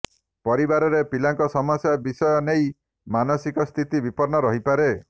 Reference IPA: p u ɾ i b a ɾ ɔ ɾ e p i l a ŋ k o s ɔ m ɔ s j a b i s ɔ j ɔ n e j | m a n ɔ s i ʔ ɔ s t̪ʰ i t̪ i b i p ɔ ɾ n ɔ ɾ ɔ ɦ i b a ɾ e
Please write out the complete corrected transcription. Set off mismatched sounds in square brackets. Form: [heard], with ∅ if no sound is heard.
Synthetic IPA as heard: p [ɔ] ɾ i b a ɾ ɔ ɾ e p i l a ŋ k [ɔ] s ɔ m ɔ s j a b i s ɔ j ɔ n e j | m a n ɔ s i [k] ɔ s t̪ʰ i t̪ i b i p ɔ ɾ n ɔ ɾ ɔ ɦ i [p] a ɾ e